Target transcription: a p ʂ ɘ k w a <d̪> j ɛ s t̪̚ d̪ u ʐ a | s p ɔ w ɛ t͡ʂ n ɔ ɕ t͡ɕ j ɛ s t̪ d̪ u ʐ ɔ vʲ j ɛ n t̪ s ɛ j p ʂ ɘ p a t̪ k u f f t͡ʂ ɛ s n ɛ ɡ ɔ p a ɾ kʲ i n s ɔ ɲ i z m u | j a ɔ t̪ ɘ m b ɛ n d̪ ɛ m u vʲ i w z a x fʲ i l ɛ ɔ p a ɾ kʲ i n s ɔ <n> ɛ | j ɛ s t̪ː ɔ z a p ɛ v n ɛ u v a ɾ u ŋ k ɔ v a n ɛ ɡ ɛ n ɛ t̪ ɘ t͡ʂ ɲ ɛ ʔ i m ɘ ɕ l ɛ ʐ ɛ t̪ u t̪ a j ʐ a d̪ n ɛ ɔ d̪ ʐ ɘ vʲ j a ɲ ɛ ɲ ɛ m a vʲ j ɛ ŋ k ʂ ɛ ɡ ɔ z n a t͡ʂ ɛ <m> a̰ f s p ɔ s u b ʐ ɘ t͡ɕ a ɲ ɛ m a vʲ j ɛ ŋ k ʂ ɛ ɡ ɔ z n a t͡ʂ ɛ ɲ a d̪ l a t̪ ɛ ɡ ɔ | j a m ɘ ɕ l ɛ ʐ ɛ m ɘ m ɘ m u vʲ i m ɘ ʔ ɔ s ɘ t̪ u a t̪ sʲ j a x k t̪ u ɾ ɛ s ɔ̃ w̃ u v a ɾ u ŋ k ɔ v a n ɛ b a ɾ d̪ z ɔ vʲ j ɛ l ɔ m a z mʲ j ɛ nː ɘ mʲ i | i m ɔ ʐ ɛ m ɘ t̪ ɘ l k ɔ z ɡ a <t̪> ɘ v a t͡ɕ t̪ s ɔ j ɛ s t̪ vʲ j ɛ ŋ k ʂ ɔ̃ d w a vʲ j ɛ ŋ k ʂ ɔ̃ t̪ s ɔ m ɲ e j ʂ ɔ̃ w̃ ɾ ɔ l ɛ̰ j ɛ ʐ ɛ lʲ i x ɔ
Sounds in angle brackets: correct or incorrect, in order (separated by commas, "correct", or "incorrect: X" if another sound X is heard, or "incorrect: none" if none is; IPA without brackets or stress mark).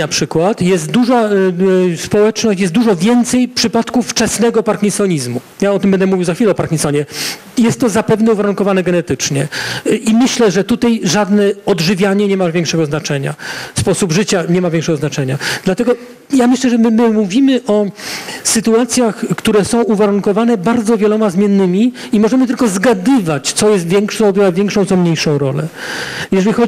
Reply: incorrect: t̪, incorrect: ɲ, incorrect: ɲ, incorrect: d̪